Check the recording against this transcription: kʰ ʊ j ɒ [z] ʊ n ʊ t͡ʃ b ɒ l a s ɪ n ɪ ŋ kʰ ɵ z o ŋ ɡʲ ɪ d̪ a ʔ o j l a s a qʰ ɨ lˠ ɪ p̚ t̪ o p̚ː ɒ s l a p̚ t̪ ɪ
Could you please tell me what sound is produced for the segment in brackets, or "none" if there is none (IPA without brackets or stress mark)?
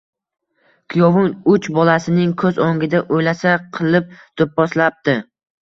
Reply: v